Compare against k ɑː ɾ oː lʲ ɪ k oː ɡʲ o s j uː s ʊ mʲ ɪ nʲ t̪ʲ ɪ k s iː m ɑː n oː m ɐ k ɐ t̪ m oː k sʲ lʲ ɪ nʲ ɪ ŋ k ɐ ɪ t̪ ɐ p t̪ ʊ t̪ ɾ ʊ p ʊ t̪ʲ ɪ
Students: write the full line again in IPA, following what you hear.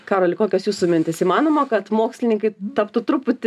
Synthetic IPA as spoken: k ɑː ɾ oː lʲ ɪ k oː kʲ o s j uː s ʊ mʲ ɪ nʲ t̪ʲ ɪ s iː m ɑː n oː m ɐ k ɐ t̪ m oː k sʲ lʲ ɪ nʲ ɪ ŋ k ɐ ɪ t̪ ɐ p t̪ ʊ t̪ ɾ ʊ p ʊ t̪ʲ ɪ